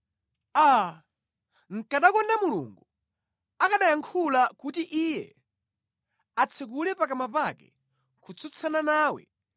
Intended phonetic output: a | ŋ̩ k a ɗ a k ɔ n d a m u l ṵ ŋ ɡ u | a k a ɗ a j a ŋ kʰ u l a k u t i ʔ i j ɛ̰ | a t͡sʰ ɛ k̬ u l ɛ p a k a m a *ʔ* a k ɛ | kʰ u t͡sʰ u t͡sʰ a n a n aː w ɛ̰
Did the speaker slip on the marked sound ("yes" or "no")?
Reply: yes